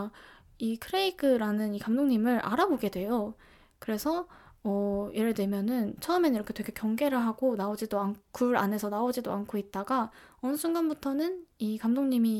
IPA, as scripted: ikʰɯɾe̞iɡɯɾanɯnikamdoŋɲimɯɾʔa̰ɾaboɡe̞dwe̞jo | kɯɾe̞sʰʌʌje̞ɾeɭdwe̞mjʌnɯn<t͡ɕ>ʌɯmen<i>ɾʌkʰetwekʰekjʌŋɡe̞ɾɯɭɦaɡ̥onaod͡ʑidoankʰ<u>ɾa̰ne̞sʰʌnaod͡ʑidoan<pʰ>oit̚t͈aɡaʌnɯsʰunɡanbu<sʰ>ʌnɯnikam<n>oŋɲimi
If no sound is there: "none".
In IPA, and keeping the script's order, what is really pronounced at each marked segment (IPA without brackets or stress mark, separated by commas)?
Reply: t͡ɕʰ, i, u, kʰ, tʰ, d